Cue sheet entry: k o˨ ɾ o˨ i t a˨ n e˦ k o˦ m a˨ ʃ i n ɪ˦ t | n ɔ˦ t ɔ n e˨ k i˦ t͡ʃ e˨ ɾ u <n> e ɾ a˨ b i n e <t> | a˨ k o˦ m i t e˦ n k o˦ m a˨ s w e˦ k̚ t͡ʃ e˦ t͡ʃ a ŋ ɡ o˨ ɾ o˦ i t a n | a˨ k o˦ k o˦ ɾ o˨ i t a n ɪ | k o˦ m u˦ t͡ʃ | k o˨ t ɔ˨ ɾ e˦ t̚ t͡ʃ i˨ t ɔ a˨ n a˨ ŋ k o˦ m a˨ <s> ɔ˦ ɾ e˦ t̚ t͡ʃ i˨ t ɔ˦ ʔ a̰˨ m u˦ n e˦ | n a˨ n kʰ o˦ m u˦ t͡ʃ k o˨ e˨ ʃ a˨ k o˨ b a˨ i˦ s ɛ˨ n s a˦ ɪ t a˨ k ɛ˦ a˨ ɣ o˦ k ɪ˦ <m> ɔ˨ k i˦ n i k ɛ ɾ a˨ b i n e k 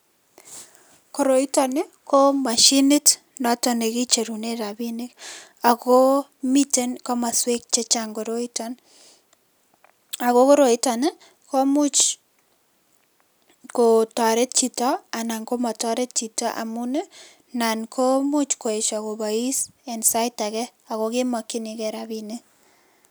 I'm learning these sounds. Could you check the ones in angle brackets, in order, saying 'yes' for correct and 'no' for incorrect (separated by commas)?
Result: yes, no, no, yes